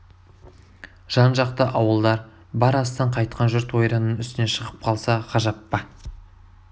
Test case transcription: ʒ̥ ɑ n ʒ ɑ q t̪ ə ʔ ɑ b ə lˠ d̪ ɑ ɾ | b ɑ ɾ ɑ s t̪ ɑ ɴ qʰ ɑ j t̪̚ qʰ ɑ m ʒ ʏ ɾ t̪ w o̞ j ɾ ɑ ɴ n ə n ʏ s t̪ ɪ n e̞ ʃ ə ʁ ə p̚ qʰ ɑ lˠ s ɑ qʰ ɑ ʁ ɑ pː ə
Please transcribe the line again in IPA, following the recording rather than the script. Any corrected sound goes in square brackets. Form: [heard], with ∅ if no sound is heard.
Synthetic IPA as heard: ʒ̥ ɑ n ʒ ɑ q t̪ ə ʔ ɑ [w] ə lˠ d̪ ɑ ɾ | b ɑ ɾ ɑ s t̪ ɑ ɴ qʰ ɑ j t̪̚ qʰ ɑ [n] ʒ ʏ ɾ t̪ w o̞ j ɾ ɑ [∅] n ə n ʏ s t̪ ɪ n e̞ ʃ ə ʁ ə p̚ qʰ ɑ lˠ s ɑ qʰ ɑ [ʒ] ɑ pː [ɑ]

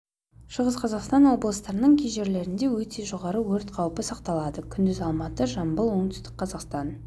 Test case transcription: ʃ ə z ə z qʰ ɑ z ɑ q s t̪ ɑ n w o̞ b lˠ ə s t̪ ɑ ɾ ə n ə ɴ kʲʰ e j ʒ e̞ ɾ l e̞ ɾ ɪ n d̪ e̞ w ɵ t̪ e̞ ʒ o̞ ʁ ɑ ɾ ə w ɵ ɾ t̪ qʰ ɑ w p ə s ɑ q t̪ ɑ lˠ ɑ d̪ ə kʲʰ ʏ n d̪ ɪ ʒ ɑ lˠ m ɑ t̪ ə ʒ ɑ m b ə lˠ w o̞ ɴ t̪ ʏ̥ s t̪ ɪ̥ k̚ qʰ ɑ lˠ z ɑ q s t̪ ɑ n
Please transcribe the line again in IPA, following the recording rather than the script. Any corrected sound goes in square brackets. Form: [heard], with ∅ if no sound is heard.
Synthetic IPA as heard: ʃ ə [ʁ] ə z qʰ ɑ z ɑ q s t̪ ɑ n w o̞ b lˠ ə s t̪ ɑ ɾ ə n ə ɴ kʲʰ e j ʒ e̞ ɾ l e̞ ɾ ɪ n d̪ e̞ w ɵ t̪ e̞ ʒ o̞ ʁ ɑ ɾ ə w ɵ ɾ t̪ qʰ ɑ w p ə s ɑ q t̪ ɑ lˠ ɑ d̪ ə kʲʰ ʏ n d̪ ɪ [z] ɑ lˠ m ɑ t̪ ə ʒ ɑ m b ə lˠ w o̞ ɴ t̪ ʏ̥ s t̪ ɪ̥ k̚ qʰ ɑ [∅] z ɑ q s t̪ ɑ n

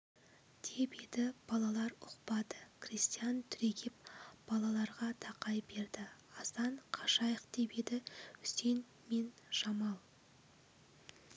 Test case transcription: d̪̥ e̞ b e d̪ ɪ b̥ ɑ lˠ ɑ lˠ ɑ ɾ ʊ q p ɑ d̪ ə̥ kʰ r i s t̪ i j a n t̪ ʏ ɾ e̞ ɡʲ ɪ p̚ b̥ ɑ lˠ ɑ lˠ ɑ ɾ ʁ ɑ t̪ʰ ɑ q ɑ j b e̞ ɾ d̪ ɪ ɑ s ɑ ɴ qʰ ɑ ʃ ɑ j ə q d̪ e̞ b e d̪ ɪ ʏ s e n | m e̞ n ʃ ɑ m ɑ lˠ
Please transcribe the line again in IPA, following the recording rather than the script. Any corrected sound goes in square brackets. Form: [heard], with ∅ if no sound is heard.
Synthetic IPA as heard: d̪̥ e̞ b e d̪ ɪ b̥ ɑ lˠ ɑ lˠ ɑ ɾ ʊ q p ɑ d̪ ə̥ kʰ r i s t̪ i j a n [t̪ʰ] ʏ ɾ e̞ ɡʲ ɪ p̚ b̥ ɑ lˠ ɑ lˠ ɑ ɾ ʁ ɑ t̪ʰ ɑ q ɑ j b e̞ ɾ d̪ ɪ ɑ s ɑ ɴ qʰ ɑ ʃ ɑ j ə q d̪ e̞ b e d̪ ɪ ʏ s e n | m e̞ n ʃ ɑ m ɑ lˠ

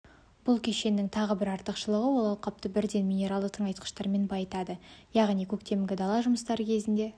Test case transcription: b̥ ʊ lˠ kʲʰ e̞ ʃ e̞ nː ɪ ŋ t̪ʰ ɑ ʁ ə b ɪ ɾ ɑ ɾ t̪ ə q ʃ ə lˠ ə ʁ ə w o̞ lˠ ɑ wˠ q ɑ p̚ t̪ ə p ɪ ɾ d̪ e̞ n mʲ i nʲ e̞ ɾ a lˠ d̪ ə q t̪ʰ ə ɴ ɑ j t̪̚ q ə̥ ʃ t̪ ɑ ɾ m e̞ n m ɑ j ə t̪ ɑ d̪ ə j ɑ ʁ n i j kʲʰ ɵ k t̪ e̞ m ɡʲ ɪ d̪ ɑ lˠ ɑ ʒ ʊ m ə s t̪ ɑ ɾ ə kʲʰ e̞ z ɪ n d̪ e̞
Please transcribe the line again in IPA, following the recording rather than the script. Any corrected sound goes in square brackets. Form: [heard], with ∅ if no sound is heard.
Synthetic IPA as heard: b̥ ʊ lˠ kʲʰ e̞ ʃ e̞ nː ɪ ŋ t̪ʰ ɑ ʁ ə b ɪ ɾ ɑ ɾ t̪ ə q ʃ ə lˠ ə ʁ ə w o̞ lˠ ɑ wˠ q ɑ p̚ t̪ ə [b] ɪ ɾ d̪ e̞ n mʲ i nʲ e̞ ɾ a lˠ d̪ ə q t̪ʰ ə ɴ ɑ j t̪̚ q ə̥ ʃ t̪ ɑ ɾ m e̞ n [b] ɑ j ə t̪ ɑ d̪ ə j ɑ ʁ n i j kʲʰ ɵ k t̪ e̞ m ɡʲ ɪ d̪ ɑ lˠ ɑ ʒ ʊ m ə s t̪ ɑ ɾ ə kʲʰ e̞ z ɪ n d̪ e̞

